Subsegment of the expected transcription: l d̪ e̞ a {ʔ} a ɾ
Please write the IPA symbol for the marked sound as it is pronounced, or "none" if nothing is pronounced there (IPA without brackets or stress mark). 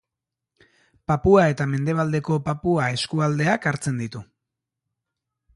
k